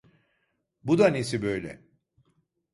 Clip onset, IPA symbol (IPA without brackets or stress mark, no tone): b